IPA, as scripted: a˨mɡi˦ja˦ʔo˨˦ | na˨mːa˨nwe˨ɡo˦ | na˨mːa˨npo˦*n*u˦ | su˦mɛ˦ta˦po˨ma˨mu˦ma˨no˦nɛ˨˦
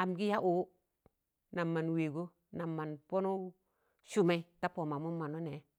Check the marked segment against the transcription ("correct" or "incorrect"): correct